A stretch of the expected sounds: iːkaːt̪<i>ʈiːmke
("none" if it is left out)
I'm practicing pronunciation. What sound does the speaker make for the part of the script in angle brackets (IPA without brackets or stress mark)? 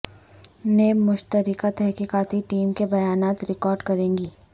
i